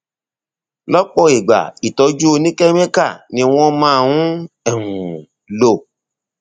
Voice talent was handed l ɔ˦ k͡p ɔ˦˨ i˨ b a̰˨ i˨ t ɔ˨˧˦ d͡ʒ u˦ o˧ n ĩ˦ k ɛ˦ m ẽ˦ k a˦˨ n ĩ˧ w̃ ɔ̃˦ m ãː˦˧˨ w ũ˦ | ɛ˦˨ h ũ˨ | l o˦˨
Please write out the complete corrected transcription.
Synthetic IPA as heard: l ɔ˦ k͡p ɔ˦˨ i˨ ɡ͡b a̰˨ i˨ t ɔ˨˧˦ d͡ʒ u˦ o˧ n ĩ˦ k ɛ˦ m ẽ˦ k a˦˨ n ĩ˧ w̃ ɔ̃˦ m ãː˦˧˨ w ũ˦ | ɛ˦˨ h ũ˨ | l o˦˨